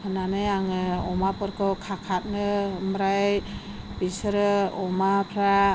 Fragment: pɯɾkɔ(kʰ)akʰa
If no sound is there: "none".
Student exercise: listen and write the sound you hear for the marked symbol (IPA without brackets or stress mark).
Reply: kʰ